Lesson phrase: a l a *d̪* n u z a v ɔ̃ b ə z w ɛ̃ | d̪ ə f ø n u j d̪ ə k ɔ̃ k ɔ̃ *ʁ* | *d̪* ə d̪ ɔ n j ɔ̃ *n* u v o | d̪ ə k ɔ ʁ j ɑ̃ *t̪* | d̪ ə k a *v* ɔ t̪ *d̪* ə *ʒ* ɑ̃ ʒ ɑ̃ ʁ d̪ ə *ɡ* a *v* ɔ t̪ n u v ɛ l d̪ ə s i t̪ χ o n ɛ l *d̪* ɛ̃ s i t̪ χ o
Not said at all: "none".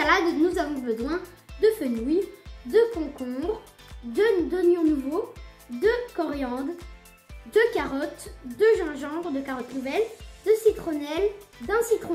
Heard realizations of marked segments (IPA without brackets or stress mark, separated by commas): d̪, ʁ, d̪, n, d̪, ʁ, d̪, ʒ, k, ʁ, d̪